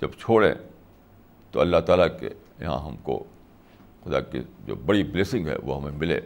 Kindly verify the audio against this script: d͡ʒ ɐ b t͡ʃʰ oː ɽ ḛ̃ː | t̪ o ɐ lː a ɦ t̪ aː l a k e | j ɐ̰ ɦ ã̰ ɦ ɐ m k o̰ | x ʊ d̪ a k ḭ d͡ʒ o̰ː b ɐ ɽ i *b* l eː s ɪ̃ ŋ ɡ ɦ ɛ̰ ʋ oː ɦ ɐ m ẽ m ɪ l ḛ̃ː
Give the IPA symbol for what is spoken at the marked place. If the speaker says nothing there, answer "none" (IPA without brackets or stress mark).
b